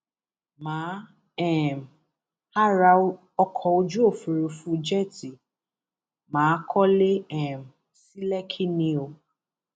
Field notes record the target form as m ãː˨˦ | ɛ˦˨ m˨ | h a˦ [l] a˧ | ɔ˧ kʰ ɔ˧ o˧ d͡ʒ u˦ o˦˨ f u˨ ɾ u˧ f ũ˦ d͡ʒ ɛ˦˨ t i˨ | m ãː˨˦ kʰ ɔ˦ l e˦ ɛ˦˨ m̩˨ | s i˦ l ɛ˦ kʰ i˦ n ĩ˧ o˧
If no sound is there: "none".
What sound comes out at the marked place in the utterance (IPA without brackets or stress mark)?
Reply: ɾ